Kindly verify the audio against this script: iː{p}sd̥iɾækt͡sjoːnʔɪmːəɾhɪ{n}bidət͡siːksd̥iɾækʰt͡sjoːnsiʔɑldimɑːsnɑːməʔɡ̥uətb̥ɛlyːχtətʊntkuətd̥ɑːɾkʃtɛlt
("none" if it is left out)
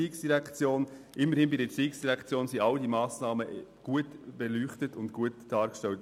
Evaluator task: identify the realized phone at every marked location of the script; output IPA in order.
k, n

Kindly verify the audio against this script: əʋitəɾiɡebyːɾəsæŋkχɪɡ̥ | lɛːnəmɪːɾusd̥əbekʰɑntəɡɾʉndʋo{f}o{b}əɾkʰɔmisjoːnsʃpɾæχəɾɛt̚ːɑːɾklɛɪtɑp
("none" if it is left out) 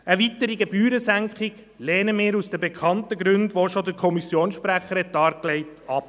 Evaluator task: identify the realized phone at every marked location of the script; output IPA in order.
ʃ, d

